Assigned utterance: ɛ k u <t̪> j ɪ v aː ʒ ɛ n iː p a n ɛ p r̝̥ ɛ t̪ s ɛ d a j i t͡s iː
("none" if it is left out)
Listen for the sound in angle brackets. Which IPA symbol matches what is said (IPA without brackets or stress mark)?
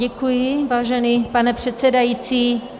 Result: none